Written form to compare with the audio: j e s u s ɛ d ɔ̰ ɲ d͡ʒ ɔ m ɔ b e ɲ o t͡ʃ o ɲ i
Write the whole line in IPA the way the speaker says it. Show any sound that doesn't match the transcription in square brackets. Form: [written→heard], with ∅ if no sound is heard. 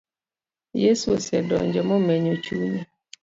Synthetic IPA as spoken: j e s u s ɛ d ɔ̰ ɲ d͡ʒ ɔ m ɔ [b→m] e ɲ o t͡ʃ [o→u] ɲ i